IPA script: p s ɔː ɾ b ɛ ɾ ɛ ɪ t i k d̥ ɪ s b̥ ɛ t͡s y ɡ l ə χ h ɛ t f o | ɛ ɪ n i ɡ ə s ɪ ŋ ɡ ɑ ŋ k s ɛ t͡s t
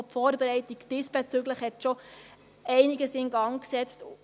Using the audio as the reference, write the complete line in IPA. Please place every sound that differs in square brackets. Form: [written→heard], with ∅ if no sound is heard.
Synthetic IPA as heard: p [s→f] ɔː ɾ b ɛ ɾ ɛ ɪ t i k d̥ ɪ s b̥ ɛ t͡s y ɡ l ə χ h ɛ t [f→ʃ] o | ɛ ɪ n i ɡ ə s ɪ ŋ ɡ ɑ ŋ k s ɛ t͡s t

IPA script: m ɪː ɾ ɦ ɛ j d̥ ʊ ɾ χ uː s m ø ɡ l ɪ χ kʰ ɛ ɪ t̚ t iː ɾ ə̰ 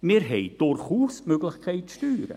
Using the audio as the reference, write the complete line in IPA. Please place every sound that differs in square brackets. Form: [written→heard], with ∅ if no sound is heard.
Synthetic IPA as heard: m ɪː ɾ ɦ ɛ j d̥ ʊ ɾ χ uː s m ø ɡ l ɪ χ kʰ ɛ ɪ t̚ t [iː→yː] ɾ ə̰

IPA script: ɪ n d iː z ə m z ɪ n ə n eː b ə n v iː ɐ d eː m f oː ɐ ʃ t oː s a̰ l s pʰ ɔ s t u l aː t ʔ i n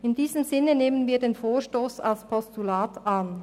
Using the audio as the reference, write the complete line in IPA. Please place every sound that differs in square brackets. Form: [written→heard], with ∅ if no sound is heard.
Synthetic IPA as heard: ɪ n d iː z ə m z ɪ n ə n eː [b→m] ə n v iː ɐ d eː [m→n] f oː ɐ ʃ t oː s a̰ l s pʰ ɔ s t u l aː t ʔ [i→a] n

